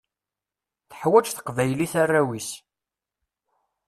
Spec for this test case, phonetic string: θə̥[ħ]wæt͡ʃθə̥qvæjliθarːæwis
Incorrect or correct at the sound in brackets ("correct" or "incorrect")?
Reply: correct